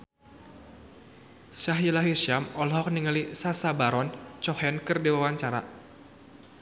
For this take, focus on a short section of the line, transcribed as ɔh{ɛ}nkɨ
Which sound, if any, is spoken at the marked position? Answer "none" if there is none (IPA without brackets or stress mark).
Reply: ɛ